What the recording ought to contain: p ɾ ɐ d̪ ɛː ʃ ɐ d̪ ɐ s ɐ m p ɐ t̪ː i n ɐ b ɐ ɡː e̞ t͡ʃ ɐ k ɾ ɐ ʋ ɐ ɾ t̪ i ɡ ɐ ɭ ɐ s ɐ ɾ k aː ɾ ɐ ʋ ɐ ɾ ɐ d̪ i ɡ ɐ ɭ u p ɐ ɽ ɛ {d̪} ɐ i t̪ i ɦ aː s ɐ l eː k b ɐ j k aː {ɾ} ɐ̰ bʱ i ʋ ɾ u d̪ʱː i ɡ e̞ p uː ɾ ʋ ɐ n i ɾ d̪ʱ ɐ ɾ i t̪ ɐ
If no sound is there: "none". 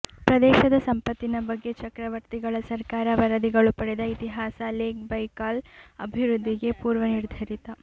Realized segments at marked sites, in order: d̪, l

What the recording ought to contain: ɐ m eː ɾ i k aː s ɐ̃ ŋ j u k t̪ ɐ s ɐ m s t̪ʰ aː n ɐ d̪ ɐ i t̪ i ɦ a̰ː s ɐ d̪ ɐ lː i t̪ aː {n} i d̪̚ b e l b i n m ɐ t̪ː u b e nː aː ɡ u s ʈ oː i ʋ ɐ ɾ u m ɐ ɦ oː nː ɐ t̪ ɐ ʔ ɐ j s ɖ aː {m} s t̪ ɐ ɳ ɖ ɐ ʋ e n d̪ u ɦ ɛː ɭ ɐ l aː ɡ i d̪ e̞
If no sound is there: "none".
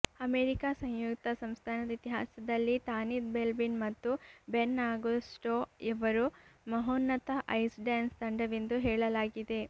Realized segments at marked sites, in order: n, n

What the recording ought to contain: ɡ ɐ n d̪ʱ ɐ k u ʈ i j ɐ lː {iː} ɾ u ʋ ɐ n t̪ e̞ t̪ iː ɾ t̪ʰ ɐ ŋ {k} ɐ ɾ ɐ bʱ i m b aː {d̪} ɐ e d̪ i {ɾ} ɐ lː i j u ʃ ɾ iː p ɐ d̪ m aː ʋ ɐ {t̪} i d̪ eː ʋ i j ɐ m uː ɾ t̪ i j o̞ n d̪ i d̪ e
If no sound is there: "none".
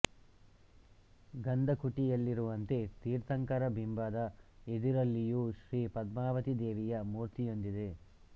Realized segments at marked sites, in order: i, k, d̪, ɾ, t̪

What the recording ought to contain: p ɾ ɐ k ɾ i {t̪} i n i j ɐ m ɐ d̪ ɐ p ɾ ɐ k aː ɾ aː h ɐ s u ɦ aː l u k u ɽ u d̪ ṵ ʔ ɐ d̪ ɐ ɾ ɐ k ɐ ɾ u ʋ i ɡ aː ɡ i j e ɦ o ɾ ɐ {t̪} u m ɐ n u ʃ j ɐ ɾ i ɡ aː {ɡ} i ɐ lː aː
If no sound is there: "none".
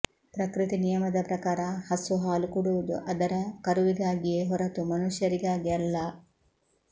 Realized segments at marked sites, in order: t̪, t̪, ɡ

